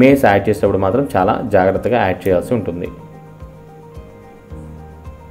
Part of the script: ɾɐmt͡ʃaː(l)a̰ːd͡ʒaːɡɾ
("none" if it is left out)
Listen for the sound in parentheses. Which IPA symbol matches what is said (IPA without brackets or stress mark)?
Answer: l